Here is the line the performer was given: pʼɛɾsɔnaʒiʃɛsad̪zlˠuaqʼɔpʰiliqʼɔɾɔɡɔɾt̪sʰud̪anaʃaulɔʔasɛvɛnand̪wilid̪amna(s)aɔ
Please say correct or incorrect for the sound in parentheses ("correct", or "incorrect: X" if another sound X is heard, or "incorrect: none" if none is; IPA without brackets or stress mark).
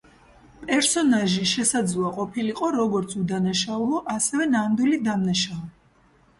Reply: incorrect: ʃ